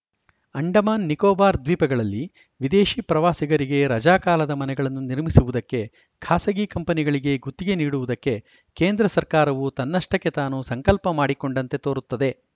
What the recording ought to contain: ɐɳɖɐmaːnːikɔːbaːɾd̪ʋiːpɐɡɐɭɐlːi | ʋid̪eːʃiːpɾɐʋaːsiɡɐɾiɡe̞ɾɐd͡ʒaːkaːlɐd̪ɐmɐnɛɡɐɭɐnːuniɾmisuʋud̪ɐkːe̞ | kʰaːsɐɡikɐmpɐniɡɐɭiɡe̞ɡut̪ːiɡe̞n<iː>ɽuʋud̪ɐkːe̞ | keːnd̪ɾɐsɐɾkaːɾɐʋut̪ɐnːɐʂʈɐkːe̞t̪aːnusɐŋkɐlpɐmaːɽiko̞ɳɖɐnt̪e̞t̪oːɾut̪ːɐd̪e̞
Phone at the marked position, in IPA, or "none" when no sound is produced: iː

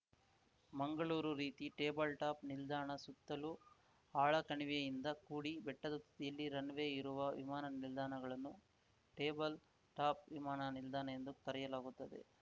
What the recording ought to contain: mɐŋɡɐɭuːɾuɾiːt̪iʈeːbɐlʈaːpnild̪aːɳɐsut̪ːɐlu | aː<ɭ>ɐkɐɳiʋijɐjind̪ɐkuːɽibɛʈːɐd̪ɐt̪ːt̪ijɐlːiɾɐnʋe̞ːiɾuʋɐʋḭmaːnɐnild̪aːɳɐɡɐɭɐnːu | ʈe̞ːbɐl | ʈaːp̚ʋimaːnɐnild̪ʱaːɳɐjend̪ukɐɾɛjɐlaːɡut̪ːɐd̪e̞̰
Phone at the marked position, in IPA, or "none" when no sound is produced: ɭ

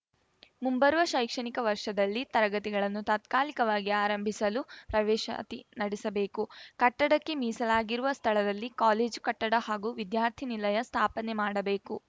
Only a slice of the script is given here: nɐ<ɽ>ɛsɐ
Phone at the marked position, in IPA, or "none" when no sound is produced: ɽ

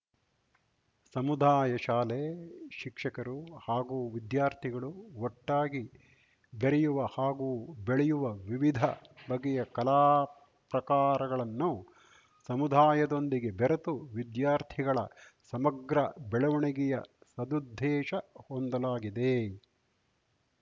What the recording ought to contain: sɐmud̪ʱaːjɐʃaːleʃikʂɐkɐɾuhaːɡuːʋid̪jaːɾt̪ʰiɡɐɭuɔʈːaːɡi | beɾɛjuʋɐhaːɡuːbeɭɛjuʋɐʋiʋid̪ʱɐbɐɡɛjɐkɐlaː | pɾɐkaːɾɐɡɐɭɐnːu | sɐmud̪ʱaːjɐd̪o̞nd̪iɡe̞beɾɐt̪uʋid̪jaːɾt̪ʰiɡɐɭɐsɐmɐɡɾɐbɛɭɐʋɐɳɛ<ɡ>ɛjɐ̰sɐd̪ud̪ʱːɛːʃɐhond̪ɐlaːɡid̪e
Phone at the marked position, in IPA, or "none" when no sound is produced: ɡ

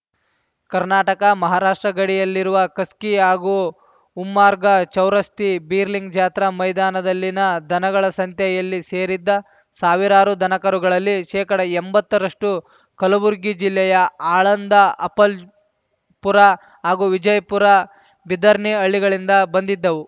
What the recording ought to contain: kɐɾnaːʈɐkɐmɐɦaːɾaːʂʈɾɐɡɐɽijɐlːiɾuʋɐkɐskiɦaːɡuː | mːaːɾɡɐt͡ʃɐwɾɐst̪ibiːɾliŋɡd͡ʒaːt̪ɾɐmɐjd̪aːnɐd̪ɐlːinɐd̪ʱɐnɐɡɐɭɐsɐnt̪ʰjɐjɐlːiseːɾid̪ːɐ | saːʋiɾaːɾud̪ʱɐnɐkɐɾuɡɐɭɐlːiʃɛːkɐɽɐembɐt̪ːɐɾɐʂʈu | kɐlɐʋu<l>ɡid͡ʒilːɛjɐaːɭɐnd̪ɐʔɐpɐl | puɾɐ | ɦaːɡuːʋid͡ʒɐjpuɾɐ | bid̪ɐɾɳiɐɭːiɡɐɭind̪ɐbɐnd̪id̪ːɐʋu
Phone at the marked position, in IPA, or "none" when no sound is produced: ɾ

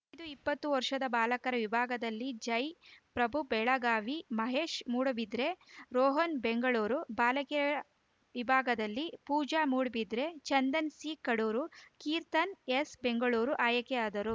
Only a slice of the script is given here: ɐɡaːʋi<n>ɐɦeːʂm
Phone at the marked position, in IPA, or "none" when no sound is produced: m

